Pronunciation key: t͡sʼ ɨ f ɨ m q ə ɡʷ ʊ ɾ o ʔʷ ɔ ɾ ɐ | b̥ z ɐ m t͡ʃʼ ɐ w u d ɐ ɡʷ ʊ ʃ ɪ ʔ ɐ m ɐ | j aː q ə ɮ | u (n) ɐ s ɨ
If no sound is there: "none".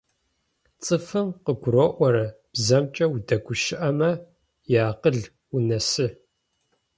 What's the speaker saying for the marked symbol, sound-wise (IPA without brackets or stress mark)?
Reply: n